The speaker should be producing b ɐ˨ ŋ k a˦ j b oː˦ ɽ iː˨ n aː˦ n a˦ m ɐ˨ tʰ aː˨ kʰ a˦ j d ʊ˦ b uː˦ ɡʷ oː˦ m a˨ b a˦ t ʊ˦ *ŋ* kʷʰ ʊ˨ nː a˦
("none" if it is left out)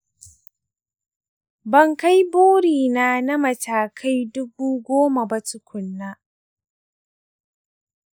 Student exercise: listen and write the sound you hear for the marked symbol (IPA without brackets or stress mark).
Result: none